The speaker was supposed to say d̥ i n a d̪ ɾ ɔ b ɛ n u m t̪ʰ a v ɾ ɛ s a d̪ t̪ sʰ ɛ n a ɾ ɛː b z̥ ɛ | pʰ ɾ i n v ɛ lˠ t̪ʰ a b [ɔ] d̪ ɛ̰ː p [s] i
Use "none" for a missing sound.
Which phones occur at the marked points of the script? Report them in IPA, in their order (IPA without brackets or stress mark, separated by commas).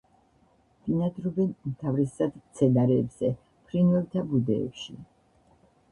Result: u, ʃ